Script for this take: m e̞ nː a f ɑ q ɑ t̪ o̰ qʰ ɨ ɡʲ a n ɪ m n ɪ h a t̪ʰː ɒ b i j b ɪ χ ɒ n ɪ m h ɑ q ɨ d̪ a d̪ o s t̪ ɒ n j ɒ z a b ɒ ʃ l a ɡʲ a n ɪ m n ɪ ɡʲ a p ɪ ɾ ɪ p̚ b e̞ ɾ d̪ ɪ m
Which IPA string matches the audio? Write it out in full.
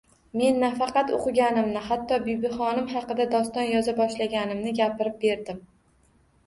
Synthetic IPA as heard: m e̞ nː a f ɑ q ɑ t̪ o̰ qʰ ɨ ɡʲ a n ɪ m n ɪ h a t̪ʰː ɒ b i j b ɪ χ ɒ n ɪ m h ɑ q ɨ d̪ a d̪ ɒ s t̪ ɒ n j ɒ z a b ɒ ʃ l a ɡʲ a n ɪ m n ɪ ɡʲ a p ɪ ɾ ɪ p̚ b e̞ ɾ d̪ ɪ m